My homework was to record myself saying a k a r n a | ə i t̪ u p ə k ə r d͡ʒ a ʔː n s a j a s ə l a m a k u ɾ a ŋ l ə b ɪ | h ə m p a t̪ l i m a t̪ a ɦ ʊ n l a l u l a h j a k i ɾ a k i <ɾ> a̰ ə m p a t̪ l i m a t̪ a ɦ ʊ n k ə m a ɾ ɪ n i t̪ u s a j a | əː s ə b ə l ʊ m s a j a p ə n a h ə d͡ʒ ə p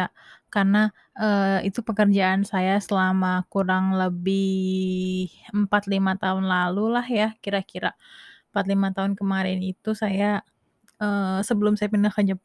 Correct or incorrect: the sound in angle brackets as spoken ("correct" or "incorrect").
correct